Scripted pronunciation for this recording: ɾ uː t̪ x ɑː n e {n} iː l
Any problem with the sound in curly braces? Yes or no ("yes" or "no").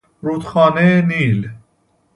no